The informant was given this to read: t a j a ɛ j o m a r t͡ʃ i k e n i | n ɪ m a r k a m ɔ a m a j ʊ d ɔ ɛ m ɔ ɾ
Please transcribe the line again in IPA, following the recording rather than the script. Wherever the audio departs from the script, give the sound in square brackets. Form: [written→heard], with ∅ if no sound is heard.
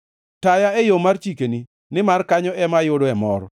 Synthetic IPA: t a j a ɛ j o m a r t͡ʃ i k e n i | n ɪ m a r k a [m→ɲ] ɔ [a→ɛ] m a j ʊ d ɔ ɛ m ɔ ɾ